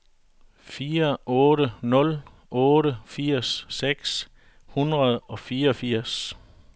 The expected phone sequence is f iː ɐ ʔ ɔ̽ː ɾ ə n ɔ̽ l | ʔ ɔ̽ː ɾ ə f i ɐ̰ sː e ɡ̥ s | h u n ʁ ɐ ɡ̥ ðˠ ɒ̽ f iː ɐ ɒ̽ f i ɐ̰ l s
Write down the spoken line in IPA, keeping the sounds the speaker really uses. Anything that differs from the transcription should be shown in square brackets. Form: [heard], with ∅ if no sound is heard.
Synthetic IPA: f iː ɐ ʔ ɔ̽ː ɾ ə n ɔ̽ l | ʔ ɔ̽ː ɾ ə f i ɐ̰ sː e ɡ̥ s | h u n ʁ ɐ [∅] ðˠ ɒ̽ f iː ɐ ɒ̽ f i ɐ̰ [∅] s